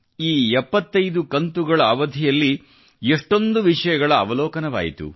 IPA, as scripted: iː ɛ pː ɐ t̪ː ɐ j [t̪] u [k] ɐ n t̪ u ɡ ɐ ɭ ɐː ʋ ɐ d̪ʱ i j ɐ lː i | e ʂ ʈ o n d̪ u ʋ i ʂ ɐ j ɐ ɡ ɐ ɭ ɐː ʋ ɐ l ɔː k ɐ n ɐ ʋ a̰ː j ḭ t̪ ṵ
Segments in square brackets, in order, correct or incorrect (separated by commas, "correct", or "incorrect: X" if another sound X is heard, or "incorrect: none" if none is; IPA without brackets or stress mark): incorrect: d̪, correct